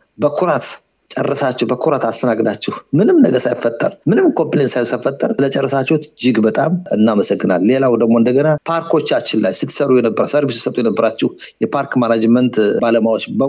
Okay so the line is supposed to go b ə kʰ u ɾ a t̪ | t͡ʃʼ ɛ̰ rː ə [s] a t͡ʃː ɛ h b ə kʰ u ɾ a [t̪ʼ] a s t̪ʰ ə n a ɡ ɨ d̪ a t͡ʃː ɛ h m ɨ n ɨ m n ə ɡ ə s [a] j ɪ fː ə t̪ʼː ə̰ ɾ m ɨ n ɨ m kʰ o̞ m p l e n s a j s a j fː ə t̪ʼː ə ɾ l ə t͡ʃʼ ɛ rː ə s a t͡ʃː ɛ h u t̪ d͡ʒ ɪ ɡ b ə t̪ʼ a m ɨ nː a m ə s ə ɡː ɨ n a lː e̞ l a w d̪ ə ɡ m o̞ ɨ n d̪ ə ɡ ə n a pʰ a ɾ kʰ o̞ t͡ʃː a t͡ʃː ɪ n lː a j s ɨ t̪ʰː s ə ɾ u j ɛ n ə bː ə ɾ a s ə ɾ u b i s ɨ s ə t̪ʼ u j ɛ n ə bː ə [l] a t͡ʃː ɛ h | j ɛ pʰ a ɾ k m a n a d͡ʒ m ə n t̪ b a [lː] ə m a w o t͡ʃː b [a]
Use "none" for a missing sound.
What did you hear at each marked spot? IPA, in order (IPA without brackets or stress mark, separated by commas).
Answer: s, t̪, a, ɾ, l, ə